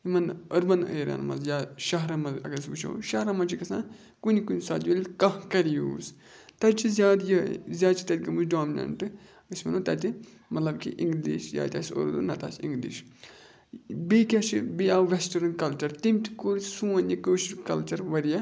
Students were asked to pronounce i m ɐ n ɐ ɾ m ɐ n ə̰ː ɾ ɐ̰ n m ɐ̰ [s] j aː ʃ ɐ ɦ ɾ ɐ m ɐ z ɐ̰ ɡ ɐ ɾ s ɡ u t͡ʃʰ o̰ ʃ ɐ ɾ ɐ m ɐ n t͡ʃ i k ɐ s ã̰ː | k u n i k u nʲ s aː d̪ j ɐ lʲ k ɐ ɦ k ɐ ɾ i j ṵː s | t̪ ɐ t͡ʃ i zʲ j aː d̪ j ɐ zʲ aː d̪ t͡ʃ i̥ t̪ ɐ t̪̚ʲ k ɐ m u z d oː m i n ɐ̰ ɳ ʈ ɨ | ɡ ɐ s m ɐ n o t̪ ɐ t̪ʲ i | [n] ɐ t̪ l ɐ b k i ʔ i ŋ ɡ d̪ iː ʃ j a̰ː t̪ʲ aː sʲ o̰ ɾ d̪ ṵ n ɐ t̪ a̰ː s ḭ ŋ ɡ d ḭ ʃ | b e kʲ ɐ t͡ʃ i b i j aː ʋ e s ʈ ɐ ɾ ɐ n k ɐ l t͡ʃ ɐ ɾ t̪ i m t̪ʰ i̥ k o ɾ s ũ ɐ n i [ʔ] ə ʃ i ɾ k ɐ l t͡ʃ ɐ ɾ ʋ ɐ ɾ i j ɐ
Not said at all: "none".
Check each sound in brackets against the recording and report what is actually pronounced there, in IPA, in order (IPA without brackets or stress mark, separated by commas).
z, m, k